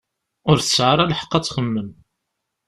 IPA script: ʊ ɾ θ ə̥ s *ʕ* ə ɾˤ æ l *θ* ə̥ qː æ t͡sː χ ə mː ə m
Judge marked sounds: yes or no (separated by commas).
yes, no